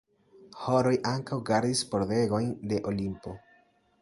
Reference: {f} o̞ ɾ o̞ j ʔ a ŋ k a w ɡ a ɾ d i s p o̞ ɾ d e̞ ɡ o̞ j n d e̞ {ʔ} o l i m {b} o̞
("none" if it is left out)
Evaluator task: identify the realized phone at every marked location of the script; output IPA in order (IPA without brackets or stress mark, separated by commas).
h, ʔ, p